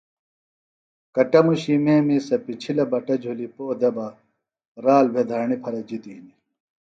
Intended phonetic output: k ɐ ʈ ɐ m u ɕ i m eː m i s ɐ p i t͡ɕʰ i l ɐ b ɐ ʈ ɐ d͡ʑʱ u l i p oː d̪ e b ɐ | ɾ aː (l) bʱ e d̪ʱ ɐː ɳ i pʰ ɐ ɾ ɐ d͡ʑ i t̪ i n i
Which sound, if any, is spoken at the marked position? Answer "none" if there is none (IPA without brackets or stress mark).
l